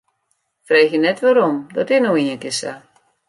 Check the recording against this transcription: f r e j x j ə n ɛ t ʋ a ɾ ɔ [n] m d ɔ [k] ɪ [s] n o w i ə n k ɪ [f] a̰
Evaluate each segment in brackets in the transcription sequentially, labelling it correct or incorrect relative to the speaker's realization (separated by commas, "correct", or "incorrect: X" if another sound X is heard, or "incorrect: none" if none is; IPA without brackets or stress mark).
incorrect: none, incorrect: t, incorrect: none, incorrect: s